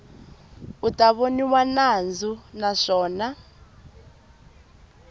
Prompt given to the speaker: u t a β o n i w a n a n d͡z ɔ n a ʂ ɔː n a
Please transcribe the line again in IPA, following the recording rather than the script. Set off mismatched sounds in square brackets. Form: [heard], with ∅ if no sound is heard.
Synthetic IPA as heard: u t a β o n i w a n a n d͡z [u] n a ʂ ɔː n a